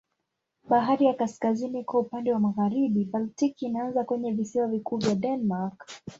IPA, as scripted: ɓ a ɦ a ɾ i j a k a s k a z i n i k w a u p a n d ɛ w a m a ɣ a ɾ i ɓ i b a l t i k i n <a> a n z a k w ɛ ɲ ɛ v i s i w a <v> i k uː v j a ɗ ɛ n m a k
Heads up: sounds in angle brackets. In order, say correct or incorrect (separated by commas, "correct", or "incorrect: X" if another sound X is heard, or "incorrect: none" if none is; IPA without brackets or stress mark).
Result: correct, correct